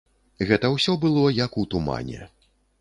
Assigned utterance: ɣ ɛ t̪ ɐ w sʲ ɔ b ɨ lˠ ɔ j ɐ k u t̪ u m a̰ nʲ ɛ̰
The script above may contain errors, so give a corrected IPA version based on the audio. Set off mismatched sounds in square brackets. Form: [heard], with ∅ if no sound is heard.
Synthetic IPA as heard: ɣ ɛ t̪ ɐ w sʲ ɔ b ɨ lˠ ɔ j ɐ k u t̪ u m a̰ nʲ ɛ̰